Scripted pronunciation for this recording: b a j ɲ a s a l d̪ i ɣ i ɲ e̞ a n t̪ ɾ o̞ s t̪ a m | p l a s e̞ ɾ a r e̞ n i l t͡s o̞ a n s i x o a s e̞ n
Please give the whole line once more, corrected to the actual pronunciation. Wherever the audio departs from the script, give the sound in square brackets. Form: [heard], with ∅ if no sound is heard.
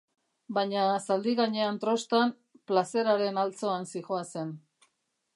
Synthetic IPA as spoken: b a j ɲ a s a l d̪ i ɣ [a] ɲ e̞ a n t̪ ɾ o̞ s t̪ a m | p l a s e̞ ɾ a [ɾ] e̞ n [a] l t͡s o̞ a n s i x o a s e̞ n